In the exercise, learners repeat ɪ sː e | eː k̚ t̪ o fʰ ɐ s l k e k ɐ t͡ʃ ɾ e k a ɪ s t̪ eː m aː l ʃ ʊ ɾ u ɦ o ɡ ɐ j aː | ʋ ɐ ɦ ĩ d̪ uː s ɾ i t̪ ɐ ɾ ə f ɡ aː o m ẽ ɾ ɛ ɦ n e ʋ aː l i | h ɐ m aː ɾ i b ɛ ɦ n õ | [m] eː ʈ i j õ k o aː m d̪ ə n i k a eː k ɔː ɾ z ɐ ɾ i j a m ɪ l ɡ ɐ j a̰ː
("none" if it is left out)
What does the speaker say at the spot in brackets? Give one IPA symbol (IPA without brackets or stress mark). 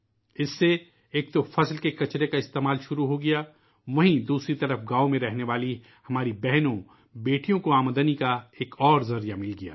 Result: b